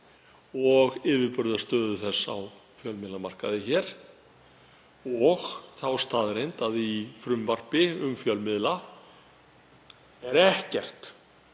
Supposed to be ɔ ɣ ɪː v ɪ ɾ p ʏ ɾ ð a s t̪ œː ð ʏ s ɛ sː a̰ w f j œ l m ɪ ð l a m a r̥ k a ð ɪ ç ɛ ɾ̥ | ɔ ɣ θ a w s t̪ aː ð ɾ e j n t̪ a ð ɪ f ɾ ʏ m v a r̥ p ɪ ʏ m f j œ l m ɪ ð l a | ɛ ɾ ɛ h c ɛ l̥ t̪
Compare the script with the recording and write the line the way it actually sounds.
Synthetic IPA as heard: ɔ ɣ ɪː v ɪ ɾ p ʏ ɾ ð a s t̪ œː ð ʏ θ ɛ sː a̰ w f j œ l m ɪ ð l a m a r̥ k a ð ɪ ç ɛ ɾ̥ | ɔ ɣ θ a w s t̪ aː ð ɾ e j n t̪ a ð i f ɾ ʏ m v a r̥ p ɪ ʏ m f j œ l m ɪ ð l a | ɛ ɾ ɛ h c ɛ r̥ t̪